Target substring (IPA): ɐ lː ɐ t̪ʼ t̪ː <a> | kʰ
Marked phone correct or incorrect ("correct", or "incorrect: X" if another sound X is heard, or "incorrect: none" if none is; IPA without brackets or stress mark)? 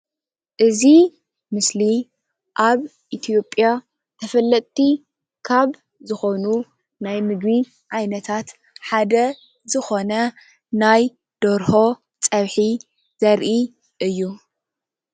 incorrect: i